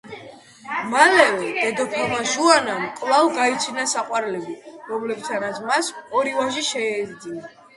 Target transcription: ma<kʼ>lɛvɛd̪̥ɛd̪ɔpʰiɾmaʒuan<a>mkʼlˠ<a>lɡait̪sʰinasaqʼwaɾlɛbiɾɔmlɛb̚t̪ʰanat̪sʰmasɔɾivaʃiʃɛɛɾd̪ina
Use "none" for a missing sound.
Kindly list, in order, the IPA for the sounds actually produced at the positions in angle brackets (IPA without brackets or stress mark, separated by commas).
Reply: none, a, a